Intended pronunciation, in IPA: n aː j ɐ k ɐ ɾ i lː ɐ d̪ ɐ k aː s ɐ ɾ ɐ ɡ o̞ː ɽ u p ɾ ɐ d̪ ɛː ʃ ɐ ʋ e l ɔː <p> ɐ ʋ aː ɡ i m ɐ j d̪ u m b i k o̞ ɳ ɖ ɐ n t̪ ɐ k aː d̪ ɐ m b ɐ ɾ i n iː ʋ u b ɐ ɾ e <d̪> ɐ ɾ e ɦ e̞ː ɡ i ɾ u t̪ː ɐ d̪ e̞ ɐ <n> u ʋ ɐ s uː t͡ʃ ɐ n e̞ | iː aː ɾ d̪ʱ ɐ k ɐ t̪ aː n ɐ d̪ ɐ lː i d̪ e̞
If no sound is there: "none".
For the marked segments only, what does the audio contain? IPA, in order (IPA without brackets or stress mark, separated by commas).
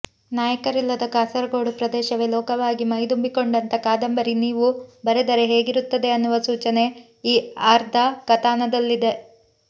k, d̪, nː